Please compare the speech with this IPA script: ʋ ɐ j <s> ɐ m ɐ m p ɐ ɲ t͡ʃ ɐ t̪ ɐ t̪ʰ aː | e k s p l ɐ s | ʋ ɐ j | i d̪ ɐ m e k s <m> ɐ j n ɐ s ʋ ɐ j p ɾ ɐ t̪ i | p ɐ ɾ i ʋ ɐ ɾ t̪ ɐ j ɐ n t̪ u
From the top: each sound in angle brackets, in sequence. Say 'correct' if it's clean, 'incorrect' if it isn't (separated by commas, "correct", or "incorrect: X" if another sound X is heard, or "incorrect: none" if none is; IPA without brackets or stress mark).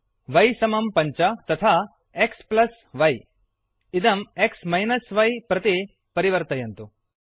correct, correct